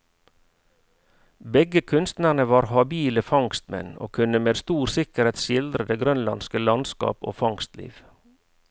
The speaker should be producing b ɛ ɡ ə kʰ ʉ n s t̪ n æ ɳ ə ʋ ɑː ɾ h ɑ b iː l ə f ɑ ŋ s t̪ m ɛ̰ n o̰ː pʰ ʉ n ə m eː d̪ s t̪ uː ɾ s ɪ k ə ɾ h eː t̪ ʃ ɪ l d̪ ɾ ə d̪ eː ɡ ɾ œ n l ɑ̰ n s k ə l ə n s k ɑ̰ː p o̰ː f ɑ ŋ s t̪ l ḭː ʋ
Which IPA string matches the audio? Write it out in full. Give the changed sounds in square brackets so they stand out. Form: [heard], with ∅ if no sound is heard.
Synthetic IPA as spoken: b ɛ ɡ ə kʰ ʉ n s t̪ n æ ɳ ə ʋ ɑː ɾ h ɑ b iː l ə f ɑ ŋ s t̪ m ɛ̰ n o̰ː [kʰ] ʉ n ə m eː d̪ s t̪ uː ɾ s ɪ k ə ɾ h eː t̪ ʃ ɪ l d̪ ɾ ə d̪ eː ɡ ɾ œ n l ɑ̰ n s k ə l [ɑ] n s k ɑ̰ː p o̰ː f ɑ ŋ s t̪ l ḭː ʋ